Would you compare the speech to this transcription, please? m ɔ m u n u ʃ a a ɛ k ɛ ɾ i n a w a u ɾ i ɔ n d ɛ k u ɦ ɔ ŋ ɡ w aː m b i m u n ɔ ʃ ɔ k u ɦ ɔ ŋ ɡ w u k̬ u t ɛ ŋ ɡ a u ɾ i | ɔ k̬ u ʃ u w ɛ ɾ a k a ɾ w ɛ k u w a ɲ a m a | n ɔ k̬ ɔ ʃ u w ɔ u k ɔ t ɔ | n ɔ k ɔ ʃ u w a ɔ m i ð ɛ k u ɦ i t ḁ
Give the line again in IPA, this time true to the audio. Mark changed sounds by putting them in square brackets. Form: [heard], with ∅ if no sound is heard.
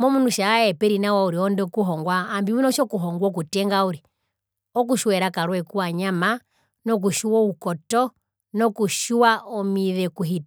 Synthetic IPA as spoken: m ɔ m u n u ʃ a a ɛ [p] ɛ ɾ i n a w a u ɾ i ɔ n d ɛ k u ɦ ɔ ŋ ɡ w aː m b i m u n ɔ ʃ ɔ k u ɦ ɔ ŋ ɡ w [ɔ] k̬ u t ɛ ŋ ɡ a u ɾ i | ɔ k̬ u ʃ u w ɛ ɾ a k a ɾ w ɛ k u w a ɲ a m a | n ɔ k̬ [u] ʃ u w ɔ u k ɔ t ɔ | n ɔ k [u] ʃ u w a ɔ m i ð ɛ k u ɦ i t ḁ